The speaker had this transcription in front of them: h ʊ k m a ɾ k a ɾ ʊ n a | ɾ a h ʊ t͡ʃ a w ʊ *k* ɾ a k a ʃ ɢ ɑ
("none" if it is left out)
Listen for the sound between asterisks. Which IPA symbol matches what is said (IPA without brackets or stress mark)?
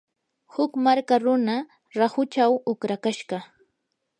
k